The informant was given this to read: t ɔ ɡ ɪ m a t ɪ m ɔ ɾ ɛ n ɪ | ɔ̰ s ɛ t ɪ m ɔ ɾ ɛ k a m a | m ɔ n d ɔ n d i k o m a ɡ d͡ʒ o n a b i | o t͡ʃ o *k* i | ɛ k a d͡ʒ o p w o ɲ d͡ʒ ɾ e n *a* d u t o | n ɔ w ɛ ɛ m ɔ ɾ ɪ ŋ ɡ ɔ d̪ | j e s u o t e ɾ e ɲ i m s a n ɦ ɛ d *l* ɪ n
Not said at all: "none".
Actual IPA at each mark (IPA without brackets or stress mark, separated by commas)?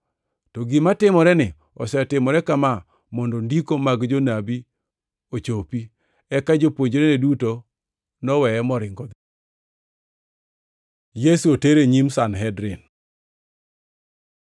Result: p, e, ɾ